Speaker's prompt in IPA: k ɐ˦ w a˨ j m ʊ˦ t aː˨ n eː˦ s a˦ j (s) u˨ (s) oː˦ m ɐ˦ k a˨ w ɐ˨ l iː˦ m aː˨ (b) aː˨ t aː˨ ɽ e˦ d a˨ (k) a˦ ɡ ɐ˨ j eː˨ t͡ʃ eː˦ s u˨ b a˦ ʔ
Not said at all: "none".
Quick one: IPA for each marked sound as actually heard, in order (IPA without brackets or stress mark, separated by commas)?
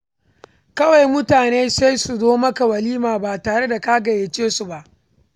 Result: s, z, b, k